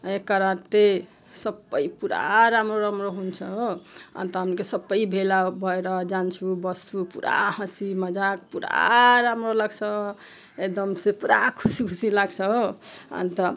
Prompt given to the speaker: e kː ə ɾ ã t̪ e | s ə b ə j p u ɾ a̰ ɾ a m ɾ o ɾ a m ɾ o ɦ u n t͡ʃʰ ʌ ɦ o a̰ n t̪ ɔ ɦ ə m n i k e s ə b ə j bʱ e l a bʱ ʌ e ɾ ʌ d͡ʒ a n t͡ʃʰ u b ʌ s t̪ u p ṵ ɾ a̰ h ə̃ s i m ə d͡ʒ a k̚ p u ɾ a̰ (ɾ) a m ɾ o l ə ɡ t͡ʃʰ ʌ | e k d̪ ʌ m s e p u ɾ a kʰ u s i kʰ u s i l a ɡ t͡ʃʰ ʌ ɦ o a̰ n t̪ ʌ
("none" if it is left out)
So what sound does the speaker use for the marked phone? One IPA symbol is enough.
ɾ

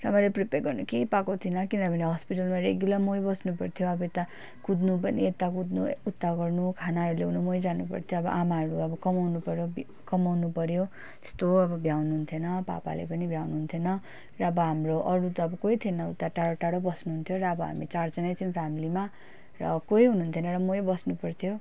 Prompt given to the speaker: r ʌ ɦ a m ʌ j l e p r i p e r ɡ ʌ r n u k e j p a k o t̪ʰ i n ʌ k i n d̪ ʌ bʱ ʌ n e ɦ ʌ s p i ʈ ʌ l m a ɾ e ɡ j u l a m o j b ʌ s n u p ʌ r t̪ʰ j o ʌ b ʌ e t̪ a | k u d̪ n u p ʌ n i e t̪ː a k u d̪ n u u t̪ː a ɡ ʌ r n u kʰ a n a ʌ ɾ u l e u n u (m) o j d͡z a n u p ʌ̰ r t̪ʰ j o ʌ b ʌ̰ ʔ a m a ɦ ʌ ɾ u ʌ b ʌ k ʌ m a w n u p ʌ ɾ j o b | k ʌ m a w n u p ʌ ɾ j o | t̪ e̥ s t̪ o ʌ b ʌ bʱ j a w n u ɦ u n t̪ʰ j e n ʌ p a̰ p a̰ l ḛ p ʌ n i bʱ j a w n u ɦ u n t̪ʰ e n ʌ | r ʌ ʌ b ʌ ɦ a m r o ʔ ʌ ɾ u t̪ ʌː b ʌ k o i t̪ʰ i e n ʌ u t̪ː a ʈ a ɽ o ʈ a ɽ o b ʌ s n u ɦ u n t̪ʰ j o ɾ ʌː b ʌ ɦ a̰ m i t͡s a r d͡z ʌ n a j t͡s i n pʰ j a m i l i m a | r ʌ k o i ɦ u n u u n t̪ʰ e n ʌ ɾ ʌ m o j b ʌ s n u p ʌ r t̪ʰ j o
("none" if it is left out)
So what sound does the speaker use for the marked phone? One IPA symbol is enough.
m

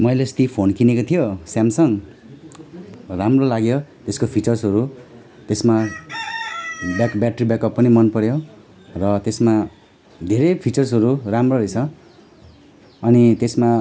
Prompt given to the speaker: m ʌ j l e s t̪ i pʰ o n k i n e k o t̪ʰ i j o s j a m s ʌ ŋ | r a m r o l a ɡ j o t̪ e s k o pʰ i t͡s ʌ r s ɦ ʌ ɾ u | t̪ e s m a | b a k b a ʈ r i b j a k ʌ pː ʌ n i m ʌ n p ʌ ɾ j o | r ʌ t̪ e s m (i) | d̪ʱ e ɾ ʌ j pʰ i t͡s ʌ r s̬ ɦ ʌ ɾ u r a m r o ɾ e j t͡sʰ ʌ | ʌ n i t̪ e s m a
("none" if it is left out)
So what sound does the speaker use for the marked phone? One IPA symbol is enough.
a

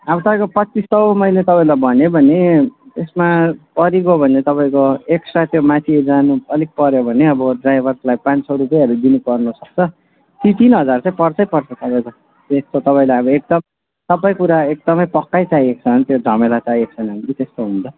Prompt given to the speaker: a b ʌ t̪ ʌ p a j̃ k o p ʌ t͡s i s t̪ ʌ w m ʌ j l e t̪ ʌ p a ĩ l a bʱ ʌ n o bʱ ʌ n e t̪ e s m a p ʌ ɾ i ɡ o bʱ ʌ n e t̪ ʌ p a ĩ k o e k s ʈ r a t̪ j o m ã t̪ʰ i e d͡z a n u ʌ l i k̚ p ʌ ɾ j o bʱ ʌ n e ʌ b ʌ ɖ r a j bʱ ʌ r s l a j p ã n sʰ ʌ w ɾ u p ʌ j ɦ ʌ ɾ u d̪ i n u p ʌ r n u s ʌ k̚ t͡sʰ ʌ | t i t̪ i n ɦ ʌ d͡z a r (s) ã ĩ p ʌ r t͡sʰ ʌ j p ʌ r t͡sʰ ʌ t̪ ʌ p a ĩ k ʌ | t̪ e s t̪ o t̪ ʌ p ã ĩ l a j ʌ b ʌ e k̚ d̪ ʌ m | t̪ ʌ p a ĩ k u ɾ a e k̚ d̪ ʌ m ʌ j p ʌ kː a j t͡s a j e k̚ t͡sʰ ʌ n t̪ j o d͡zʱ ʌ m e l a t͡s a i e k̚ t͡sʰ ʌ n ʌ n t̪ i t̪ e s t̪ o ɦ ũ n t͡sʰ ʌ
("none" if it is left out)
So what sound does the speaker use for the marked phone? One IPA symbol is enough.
t͡s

